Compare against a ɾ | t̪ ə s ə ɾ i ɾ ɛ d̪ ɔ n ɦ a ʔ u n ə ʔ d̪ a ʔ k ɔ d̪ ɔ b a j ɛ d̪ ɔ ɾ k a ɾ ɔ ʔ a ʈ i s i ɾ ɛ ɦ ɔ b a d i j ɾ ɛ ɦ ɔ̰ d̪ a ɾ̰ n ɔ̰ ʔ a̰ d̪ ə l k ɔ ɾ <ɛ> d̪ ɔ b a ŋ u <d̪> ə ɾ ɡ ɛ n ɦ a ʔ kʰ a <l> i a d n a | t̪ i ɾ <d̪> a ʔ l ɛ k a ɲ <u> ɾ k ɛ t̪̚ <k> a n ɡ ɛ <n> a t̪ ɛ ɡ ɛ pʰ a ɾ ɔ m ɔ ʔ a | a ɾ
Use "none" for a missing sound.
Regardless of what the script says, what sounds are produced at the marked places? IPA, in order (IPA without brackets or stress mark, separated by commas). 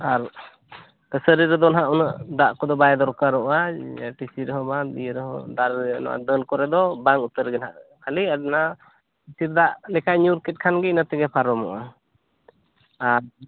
ɛ, t̪, l, d̪, u, kʰ, n